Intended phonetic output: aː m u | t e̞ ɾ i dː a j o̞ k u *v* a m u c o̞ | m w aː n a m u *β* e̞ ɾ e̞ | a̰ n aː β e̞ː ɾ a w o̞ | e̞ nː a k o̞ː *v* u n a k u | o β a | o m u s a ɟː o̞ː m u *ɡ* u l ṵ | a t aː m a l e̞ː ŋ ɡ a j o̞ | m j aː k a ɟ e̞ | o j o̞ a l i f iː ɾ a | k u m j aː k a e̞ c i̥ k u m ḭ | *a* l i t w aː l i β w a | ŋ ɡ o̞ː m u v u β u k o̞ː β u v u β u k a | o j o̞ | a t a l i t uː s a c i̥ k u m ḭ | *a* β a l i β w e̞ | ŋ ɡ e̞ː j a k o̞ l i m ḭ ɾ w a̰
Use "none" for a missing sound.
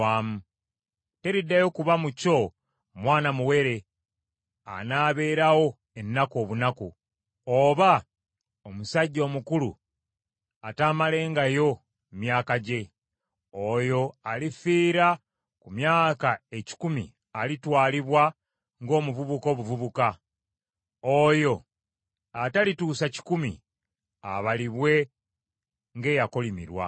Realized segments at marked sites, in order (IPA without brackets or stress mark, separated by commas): β, w, β, k, a, a